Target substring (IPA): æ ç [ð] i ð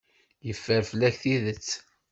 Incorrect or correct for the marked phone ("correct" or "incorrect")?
incorrect